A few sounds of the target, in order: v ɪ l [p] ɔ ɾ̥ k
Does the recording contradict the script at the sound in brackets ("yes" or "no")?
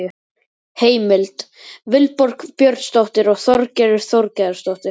no